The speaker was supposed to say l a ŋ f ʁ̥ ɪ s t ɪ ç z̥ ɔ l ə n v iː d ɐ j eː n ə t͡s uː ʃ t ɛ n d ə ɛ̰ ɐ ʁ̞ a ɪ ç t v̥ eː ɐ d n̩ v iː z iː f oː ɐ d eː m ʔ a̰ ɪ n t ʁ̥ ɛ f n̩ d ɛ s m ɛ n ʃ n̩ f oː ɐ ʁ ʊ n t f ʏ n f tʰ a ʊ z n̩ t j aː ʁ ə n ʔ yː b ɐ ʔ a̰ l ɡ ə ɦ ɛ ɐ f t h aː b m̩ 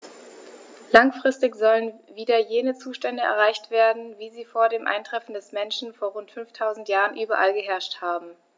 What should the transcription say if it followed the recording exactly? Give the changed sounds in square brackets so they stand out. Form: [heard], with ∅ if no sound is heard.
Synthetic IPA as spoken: l a ŋ f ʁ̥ ɪ s t ɪ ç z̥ ɔ l ə n v iː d ɐ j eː n ə t͡s uː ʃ t ɛ n d ə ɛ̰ ɐ ʁ̞ a ɪ ç t v̥ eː ɐ d n̩ v iː z iː f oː ɐ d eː m ʔ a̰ ɪ n t ʁ̥ ɛ f n̩ d ɛ s m ɛ n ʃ n̩ f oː ɐ ʁ ʊ n t f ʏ n f tʰ a ʊ z n̩ t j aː ʁ ə n ʔ yː b ɐ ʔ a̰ l ɡ ə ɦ ɛ ɐ [ʃ] t h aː b m̩

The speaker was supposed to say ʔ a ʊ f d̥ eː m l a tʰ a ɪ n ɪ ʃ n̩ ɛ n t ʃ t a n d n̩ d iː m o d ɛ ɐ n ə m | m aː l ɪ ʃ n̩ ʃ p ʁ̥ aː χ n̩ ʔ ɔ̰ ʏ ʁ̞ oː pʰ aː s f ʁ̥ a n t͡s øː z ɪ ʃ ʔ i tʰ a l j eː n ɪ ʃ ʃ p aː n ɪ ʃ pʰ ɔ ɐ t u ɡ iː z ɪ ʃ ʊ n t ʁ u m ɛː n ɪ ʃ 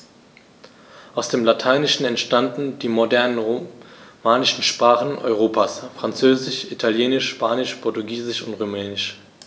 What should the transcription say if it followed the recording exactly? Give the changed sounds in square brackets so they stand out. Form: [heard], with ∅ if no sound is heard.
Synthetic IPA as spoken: ʔ a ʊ [s] d̥ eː m l a tʰ a ɪ n ɪ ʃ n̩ ɛ n t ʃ t a n d n̩ d iː m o d ɛ ɐ n ə [n] | m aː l ɪ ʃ n̩ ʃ p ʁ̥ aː χ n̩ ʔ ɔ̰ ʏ ʁ̞ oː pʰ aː s f ʁ̥ a n t͡s øː z ɪ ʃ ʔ i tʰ a l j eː n ɪ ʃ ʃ p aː n ɪ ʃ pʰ ɔ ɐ t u ɡ iː z ɪ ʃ ʊ n t ʁ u m ɛː n ɪ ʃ

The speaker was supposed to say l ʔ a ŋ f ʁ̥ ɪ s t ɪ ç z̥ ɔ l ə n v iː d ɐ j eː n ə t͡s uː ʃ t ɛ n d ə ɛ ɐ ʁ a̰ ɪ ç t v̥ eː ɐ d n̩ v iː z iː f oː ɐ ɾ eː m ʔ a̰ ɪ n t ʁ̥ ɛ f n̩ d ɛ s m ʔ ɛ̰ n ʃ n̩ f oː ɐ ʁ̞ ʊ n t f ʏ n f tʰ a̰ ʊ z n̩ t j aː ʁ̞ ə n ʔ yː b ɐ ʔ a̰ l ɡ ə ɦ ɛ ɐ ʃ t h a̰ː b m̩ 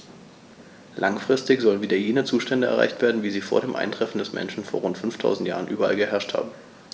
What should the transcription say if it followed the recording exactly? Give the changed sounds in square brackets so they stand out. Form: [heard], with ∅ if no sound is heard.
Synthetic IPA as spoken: l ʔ a ŋ f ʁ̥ ɪ s t ɪ ç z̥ ɔ l ə n v iː d ɐ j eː n ə t͡s uː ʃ t ɛ n d ə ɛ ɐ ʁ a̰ ɪ ç t v̥ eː ɐ d n̩ v iː z iː f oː ɐ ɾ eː m ʔ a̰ ɪ n t ʁ̥ ɛ f n̩ d ɛ s m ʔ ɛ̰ n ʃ n̩ f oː ɐ ʁ̞ ʊ n t f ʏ n f tʰ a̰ ʊ z n̩ t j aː ʁ̞ ə n ʔ yː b ɐ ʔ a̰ l ɡ ə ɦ ɛ ɐ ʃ t h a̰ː b m̩

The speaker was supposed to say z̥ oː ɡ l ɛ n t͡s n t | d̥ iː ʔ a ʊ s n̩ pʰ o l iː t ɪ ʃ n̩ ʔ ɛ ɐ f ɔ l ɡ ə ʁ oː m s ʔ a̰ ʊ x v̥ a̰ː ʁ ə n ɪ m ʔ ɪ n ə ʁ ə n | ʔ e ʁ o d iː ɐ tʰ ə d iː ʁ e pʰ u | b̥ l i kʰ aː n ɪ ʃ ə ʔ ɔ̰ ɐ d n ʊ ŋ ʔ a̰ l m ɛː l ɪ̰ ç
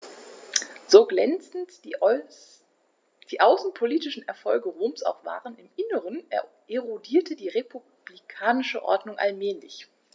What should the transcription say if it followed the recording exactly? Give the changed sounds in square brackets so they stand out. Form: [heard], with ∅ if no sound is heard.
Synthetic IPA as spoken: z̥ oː ɡ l ɛ n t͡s n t | d̥ iː ʔ a ʊ s n̩ pʰ o l iː t ɪ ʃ n̩ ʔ ɛ ɐ f ɔ l ɡ ə ʁ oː m s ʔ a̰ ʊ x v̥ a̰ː ʁ ə n ɪ m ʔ ɪ n ə ʁ ə n | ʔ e ʁ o d iː ɐ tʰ ə d iː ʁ e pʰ u | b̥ l i kʰ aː n ɪ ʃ ə ʔ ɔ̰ ɐ d n ʊ ŋ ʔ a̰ l m ɛː l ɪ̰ ç

